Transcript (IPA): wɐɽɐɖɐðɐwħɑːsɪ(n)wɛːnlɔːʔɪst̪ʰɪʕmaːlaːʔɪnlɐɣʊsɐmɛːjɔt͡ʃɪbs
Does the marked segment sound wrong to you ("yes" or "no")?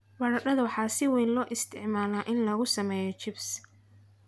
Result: yes